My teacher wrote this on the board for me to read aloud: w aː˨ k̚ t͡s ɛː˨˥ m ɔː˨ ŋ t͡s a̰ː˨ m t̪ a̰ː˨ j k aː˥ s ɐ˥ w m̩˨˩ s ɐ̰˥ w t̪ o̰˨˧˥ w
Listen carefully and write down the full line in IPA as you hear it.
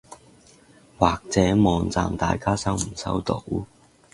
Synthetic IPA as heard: w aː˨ k̚ t͡s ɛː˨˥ m ɔː˨ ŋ t͡s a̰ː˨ m t̪ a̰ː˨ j k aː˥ s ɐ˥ w m̩˨˩ s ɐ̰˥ w t̪ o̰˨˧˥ w